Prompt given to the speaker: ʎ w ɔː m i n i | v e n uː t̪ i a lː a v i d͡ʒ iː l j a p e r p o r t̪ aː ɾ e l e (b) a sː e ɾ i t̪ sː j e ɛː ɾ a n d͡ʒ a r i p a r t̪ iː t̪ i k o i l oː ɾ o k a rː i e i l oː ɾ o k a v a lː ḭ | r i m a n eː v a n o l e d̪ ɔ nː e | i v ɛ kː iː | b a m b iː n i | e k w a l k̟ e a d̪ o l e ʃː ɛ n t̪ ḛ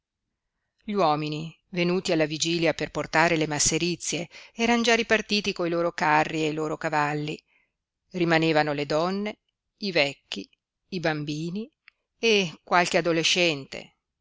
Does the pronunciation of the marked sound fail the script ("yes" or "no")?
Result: yes